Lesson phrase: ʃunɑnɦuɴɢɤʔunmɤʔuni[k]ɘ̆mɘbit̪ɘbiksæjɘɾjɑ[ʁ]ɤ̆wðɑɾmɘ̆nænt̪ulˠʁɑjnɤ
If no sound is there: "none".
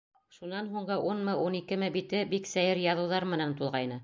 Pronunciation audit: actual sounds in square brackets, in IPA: k, ð

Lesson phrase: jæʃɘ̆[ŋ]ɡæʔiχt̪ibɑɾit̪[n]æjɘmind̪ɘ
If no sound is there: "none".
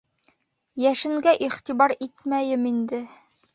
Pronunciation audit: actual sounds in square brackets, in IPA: ŋ, m

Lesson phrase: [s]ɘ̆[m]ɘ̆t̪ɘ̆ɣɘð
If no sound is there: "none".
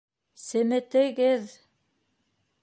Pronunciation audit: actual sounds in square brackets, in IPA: s, m

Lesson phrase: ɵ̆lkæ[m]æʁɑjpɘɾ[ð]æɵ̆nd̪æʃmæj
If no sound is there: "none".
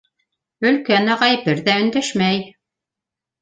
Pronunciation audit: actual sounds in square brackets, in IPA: n, ð

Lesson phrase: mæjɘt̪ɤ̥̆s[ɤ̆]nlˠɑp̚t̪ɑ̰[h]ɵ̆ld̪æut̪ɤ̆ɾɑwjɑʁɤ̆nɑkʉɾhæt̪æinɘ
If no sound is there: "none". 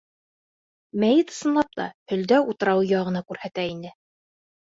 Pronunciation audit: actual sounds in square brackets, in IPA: ɤ̆, h

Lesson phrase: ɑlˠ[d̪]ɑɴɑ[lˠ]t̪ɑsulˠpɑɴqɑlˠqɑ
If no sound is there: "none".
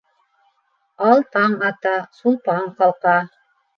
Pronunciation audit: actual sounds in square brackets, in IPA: t̪, none

